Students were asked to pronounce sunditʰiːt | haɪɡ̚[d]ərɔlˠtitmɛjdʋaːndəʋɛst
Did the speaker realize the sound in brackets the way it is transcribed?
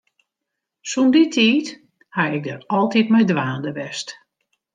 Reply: yes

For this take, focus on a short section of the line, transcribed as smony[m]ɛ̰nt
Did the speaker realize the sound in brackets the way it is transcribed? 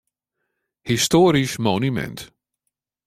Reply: yes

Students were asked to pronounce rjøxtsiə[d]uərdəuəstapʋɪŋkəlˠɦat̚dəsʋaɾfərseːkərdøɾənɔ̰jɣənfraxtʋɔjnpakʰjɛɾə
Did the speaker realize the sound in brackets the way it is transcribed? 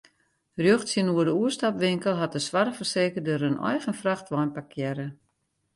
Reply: no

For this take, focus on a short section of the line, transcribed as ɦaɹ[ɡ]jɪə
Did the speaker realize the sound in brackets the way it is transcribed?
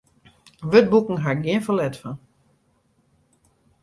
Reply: yes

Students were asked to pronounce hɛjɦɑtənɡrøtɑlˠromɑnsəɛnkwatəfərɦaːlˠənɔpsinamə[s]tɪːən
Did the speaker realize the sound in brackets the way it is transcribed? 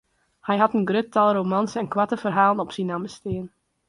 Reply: yes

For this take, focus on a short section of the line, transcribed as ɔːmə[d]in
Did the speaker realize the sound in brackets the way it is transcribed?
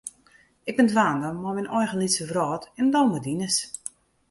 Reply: yes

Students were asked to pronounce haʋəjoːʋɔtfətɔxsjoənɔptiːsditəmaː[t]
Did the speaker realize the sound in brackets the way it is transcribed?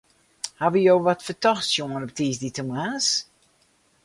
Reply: no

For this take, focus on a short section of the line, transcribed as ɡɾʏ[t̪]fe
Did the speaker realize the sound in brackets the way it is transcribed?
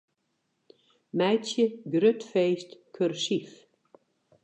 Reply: yes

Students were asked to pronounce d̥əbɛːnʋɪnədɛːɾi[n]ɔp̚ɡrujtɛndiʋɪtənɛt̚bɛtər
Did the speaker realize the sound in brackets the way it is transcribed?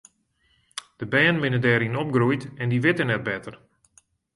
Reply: yes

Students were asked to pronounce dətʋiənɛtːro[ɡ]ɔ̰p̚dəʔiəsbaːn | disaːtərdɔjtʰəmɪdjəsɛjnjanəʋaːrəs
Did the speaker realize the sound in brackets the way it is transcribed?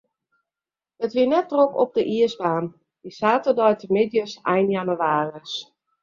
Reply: no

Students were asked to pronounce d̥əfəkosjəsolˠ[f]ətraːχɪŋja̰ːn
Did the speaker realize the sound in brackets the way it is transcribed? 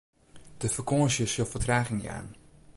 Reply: yes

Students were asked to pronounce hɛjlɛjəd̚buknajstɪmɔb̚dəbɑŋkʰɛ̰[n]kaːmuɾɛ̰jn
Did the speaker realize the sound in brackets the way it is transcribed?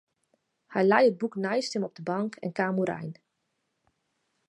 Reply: yes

